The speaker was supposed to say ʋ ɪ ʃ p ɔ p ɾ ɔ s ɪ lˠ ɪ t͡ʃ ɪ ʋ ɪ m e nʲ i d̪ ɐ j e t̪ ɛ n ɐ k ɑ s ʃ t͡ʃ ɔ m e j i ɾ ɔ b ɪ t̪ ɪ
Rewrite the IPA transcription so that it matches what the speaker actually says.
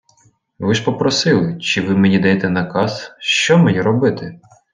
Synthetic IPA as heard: ʋ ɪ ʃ p ɔ p ɾ ɔ s ɪ lˠ ɪ t͡ʃ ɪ ʋ ɪ m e nʲ i d̪ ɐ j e t̪ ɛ n ɐ k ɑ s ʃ t͡ʃ ɔ m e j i ɾ ɔ b ɪ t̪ ɪ